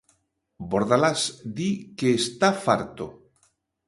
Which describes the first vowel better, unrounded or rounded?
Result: rounded